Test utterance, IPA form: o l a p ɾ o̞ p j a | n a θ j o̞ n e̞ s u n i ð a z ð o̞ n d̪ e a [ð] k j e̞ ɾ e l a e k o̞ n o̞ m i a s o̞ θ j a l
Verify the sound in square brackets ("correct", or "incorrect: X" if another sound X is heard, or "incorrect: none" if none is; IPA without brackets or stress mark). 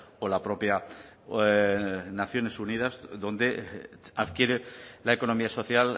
correct